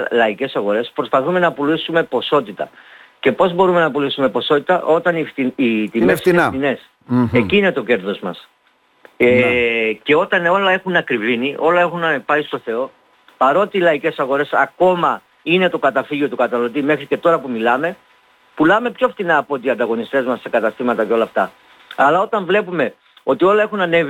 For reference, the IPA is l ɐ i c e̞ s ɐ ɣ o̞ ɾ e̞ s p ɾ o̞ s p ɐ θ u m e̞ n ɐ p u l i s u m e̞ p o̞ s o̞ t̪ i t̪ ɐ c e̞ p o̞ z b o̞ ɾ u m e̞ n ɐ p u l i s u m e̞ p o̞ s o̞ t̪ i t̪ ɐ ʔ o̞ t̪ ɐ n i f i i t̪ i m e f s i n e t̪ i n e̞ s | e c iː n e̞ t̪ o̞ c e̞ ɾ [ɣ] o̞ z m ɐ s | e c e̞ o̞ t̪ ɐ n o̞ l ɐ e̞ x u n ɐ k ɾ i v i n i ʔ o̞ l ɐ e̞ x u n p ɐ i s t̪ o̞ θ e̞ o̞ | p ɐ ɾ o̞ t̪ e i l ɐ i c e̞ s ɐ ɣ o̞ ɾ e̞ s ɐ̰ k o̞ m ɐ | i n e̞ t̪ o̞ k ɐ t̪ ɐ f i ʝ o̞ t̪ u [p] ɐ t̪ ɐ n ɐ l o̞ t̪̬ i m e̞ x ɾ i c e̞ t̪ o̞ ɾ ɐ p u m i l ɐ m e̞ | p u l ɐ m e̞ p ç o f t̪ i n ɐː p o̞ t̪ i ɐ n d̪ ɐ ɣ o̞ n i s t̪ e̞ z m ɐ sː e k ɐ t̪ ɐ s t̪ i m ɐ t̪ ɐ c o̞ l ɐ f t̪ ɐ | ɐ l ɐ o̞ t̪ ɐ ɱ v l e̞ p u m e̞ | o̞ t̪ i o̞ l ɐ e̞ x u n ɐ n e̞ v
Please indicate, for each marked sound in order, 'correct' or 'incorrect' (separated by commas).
incorrect, incorrect